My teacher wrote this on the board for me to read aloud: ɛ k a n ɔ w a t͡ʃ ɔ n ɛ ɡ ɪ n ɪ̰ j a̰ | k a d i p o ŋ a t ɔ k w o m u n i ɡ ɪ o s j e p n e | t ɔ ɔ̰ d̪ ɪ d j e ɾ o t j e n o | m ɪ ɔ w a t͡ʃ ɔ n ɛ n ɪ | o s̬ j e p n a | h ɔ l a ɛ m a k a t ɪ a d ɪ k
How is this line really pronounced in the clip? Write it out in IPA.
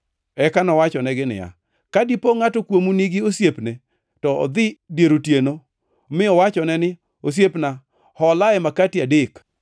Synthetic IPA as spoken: ɛ k a n ɔ w a t͡ʃ ɔ n ɛ ɡ ɪ n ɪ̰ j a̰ | k a d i p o ŋ a t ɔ k w o m u n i ɡ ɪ o s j e p n e | t ɔ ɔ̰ d̪ ɪ d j e ɾ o t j e n o | m ɪ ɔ w a t͡ʃ ɔ n ɛ n ɪ | o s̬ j e p n a | h ɔ l a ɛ m a k a t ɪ a d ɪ k

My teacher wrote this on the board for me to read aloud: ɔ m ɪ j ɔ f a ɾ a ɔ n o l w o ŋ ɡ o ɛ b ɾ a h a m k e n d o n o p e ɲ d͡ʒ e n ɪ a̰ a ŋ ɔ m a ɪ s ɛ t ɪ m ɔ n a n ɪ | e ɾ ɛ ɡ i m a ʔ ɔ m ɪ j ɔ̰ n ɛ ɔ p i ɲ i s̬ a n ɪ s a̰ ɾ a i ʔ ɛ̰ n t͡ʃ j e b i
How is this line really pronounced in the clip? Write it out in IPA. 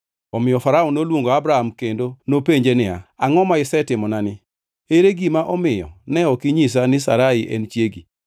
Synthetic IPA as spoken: ɔ m ɪ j ɔ f a ɾ a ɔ n o l w o ŋ ɡ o a b ɾ a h a m k e n d o n o p e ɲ d͡ʒ e n ɪ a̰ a ŋ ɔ m a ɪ s ɛ t ɪ m ɔ n a n ɪ | e ɾ e ɡ i m a ʔ ɔ m ɪ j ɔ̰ n ɛ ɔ k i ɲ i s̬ a n ɪ s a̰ ɾ a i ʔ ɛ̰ n t͡ʃ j e ɡ i

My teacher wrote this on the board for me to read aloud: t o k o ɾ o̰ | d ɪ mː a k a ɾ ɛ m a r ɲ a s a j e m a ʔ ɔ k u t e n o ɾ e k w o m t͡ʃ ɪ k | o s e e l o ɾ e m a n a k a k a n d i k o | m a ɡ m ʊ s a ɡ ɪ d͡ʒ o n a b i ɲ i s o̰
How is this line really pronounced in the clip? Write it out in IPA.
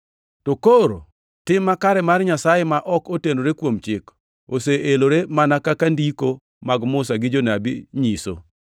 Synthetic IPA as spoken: t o k o ɾ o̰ | t ɪ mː a k a ɾ ɛ m a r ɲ a s a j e m a ʔ ɔ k o t e n o ɾ e k w o m t͡ʃ ɪ k | o s e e l o ɾ e m a n a k a k a n d i k o | m a ɡ m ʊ s a ɡ ɪ d͡ʒ o n a b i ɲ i s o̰

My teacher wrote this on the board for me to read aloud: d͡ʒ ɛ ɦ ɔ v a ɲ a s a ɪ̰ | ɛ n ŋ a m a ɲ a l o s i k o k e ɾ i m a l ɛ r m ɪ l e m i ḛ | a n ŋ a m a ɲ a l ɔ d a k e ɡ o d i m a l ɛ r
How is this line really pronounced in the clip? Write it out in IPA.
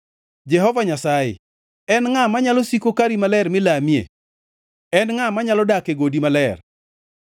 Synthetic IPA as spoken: d͡ʒ ɛ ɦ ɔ v a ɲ a s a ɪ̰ | ɛ n ŋ a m a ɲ a l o s i k o k a ɾ i m a l ɛ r m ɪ l a m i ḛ | ɛ n ŋ a m a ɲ a l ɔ d a k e ɡ o d i m a l ɛ r

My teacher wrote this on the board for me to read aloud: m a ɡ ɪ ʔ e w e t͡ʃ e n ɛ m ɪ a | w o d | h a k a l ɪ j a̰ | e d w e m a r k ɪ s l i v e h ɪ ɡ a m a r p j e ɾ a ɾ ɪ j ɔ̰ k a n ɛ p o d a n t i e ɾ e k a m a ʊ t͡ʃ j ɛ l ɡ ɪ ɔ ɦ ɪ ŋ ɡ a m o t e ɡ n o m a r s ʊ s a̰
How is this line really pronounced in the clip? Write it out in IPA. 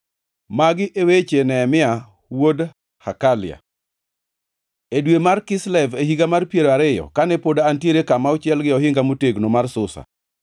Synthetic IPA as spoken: m a ɡ ɪ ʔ e w e t͡ʃ e n ɛ m ɪ a | w o d | h a k a l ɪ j a̰ | e d w e m a r k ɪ s l ɛ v e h i ɡ a m a r p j e ɾ a ɾ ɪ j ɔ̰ k a n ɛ p o d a n t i e ɾ e k a m a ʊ t͡ʃ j ɛ l ɡ ɪ ɔ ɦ ɪ ŋ ɡ a m o t e ɡ n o m a r s ʊ s a̰

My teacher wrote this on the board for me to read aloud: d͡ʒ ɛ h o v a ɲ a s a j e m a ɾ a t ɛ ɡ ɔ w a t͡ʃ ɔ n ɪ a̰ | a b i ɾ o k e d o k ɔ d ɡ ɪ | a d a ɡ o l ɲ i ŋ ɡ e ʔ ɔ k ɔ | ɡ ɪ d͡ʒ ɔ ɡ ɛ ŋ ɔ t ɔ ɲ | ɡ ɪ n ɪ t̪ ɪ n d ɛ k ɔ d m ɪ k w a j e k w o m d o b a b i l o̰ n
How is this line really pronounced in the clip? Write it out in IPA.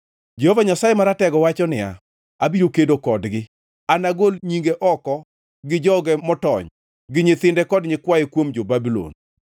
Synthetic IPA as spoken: d͡ʒ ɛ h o v a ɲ a s a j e m a ɾ a t ɛ ɡ ɔ w a t͡ʃ ɔ n ɪ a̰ | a b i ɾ o k e d o k ɔ d ɡ ɪ | a n a ɡ o l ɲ i ŋ ɡ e ʔ ɔ k ɔ | ɡ ɪ d͡ʒ ɔ ɡ ɛ m ɔ t ɔ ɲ | ɡ ɪ ɲ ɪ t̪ ɪ n d ɛ k ɔ d ɲ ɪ k w a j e k w o m d͡ʒ o b a b i l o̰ n

